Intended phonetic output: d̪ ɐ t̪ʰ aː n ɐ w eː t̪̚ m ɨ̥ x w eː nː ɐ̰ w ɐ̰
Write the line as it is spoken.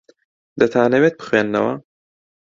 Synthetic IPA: d̪ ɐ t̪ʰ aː n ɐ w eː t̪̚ b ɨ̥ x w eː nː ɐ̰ w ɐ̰